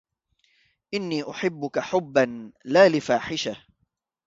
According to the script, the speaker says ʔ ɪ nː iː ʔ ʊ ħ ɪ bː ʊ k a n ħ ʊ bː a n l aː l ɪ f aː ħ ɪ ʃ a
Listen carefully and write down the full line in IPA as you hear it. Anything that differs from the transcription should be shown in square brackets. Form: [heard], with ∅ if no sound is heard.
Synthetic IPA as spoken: ʔ ɪ nː iː ʔ ʊ ħ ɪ bː ʊ k a [∅] ħ ʊ bː a n l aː l ɪ f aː ħ ɪ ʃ a